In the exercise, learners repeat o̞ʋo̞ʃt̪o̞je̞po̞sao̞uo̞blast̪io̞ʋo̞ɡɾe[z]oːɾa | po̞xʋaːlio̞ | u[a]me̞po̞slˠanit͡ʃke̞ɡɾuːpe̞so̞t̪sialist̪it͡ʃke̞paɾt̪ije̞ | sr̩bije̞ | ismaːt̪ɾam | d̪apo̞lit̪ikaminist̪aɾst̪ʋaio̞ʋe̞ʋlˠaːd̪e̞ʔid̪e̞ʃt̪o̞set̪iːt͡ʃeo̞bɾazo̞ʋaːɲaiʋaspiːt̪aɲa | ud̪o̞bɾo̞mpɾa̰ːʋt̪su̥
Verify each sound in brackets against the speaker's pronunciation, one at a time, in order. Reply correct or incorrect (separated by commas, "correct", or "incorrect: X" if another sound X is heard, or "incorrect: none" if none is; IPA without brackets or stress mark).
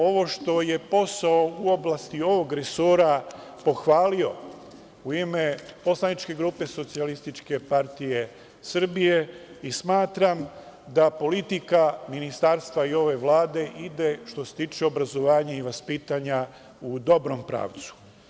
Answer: incorrect: s, incorrect: i